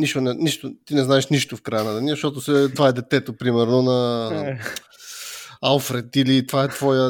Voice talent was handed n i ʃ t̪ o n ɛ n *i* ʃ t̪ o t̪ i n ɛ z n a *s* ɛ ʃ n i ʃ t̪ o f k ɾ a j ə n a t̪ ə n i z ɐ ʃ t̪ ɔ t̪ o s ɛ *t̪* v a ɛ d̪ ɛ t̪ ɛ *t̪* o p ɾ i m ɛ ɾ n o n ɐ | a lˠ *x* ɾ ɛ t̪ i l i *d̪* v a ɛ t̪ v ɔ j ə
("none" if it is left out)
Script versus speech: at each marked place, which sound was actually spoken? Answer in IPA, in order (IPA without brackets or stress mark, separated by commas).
i, none, t̪, t̪, f, t̪